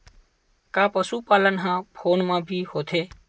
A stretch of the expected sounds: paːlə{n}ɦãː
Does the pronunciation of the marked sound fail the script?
no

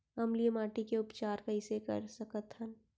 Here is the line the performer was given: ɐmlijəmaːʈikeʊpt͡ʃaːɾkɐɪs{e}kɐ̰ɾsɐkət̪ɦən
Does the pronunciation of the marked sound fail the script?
no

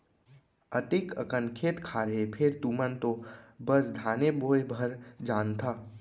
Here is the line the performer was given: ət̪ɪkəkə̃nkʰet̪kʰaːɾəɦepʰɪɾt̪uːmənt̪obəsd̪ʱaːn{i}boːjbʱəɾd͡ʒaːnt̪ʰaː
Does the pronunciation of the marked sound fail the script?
yes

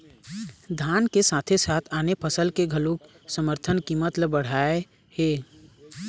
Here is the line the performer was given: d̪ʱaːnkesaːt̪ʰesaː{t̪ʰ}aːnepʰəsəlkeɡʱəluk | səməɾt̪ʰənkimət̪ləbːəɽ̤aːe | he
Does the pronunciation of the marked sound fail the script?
no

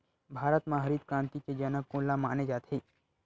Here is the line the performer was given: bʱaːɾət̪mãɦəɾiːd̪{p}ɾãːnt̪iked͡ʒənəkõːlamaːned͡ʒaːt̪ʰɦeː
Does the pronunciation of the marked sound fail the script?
yes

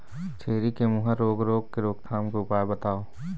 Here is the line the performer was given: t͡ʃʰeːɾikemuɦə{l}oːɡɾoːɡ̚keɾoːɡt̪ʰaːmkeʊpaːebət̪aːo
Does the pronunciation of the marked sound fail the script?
yes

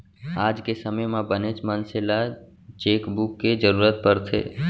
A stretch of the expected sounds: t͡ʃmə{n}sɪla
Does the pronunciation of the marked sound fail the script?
no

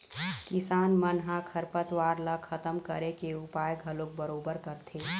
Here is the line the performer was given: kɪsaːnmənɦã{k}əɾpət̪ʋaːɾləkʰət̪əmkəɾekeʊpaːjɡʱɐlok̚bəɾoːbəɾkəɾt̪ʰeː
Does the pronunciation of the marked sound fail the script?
yes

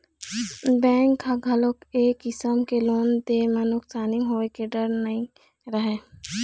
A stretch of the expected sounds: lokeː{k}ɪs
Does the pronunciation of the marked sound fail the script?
no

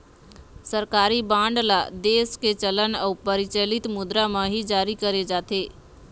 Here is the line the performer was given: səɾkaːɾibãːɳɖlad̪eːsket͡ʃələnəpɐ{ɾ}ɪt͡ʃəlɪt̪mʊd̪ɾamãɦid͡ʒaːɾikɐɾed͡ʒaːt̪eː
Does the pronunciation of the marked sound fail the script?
no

